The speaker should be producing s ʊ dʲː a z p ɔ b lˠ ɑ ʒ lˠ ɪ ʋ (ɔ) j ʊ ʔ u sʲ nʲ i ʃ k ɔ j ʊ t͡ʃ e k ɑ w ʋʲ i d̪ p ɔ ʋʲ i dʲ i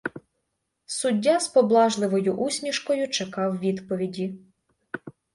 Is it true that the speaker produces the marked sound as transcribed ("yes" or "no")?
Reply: yes